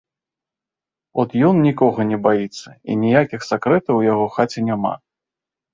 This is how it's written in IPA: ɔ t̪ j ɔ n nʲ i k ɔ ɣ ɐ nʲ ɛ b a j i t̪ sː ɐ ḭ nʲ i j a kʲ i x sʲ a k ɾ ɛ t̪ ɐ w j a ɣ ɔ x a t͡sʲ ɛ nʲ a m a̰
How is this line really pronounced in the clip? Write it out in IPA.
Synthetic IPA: ɔ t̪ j ɔ n nʲ i k ɔ ɣ ɐ nʲ ɛ b a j i t̪ sː ɐ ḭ nʲ i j a kʲ i x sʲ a k ɾ ɛ t̪ ɐ w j a ɣ ɔ x a t͡sʲ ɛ nʲ a m a̰